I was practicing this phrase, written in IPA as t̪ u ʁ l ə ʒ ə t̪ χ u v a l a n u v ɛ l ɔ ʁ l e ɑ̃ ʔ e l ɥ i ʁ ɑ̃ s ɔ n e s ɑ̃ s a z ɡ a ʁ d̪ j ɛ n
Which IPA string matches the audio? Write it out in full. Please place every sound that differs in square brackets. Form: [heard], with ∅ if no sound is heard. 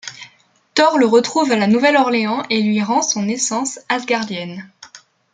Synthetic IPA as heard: t̪ [ɔ] ʁ l ə [ʁ] ə t̪ χ u v a l a n u v ɛ l ɔ ʁ l e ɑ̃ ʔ e l ɥ i ʁ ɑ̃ s [ɔ̃] n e s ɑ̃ s a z ɡ a ʁ d̪ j ɛ n